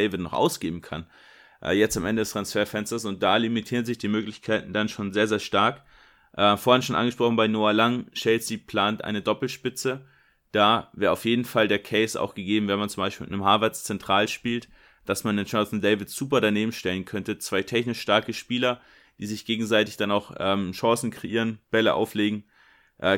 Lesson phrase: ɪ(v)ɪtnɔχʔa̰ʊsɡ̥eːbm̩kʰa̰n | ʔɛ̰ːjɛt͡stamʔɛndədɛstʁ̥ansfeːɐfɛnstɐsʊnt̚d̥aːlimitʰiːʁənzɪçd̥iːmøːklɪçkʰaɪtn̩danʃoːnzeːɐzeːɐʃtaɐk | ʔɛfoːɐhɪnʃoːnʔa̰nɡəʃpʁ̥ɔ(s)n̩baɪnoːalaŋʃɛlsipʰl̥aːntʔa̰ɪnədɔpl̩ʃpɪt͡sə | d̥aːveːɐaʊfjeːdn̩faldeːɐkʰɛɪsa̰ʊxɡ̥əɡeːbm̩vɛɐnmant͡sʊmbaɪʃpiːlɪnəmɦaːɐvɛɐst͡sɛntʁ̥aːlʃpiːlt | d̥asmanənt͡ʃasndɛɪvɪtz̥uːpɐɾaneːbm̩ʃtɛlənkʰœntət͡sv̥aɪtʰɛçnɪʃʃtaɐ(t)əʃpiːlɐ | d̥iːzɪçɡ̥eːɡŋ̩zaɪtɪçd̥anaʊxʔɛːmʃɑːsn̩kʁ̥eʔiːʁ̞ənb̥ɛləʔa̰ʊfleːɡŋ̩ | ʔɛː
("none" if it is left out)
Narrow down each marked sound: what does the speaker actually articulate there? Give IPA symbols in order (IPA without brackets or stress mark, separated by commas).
v, χ, k